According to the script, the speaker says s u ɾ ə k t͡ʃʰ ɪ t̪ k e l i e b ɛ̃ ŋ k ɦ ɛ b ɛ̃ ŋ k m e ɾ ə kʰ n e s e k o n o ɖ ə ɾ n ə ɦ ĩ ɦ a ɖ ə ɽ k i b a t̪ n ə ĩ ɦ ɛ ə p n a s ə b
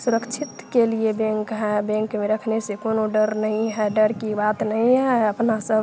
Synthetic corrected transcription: s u ɾ ə k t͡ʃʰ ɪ t̪ k e l i e b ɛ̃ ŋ k ɦ ɛ b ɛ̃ ŋ k m e ɾ ə kʰ n e s e k o n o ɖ ə ɾ n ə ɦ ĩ ɦ ɛ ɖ ə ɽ k i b a t̪ n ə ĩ ɦ ɛ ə p n a s ə b